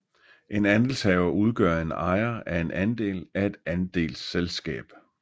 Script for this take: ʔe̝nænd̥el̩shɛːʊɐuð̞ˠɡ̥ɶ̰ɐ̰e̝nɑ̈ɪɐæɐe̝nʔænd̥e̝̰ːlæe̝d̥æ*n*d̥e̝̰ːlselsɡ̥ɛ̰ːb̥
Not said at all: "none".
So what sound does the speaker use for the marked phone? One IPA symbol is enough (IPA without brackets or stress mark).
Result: n